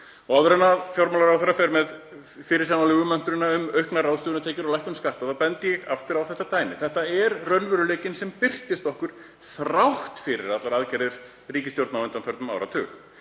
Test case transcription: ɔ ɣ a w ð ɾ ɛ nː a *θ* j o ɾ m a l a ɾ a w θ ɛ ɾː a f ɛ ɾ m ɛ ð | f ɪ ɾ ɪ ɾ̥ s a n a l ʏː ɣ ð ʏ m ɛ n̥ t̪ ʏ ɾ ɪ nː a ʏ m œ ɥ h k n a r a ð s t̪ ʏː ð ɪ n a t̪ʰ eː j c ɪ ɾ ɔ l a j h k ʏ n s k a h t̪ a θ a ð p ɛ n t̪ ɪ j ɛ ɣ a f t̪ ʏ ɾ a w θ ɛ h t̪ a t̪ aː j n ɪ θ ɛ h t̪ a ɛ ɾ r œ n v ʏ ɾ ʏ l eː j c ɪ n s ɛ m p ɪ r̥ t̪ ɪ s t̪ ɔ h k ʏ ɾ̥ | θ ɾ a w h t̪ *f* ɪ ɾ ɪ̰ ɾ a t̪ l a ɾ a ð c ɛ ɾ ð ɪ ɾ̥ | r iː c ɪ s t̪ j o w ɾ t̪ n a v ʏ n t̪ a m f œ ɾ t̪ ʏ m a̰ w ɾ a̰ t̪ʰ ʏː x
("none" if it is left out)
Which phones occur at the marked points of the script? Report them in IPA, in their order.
f, f

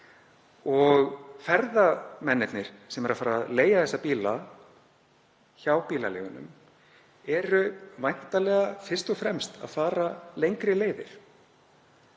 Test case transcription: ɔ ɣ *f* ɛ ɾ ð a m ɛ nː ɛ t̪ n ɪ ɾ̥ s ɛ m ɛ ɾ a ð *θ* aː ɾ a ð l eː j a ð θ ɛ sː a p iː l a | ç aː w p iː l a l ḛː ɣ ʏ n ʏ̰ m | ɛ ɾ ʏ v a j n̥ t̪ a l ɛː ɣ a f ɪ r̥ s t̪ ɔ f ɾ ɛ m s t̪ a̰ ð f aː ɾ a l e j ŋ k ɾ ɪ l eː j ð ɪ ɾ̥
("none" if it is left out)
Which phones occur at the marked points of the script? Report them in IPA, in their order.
f, f

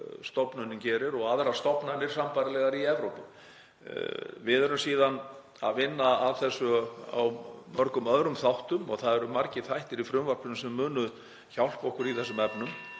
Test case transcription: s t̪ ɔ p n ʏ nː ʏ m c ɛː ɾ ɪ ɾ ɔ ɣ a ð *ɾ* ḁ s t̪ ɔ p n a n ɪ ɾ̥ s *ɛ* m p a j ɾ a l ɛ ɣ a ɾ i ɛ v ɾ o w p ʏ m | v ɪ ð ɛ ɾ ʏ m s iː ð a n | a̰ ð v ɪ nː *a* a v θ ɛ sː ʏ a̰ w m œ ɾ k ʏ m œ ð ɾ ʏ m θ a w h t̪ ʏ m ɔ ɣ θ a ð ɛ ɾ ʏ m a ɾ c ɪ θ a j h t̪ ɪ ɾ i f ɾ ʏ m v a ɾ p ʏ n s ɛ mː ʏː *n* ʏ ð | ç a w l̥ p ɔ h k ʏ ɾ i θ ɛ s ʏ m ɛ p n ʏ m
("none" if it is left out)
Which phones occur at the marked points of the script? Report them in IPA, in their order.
ɾ, a, a, n

